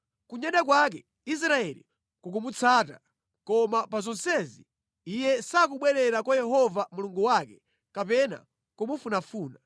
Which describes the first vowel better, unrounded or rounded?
rounded